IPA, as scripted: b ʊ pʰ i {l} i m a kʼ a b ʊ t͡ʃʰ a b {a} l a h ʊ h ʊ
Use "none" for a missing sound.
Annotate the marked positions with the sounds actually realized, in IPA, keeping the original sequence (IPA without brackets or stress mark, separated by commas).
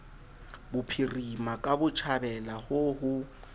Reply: r, ɛ